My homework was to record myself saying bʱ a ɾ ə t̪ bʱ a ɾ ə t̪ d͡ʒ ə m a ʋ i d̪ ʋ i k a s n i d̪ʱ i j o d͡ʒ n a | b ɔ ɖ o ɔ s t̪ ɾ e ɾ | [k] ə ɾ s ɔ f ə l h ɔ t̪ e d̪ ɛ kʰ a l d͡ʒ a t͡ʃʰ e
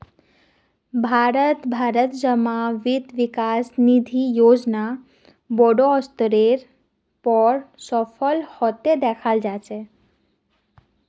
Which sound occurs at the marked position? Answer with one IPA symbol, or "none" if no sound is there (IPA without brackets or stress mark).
p